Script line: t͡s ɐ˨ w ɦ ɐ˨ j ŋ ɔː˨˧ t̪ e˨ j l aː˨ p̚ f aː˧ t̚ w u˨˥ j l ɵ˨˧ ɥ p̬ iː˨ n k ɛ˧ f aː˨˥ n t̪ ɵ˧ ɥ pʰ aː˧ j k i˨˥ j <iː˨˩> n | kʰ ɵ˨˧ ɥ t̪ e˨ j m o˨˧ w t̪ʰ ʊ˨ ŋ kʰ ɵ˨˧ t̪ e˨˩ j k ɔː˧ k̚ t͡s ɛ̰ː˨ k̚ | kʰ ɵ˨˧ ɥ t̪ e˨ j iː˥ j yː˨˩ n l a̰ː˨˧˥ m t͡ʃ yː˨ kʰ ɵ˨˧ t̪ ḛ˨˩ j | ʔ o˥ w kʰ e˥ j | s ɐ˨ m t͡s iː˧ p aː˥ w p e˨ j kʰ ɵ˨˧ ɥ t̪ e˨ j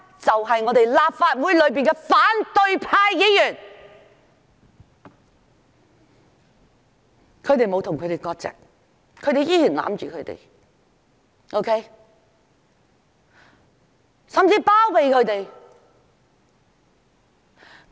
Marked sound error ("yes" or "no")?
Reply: yes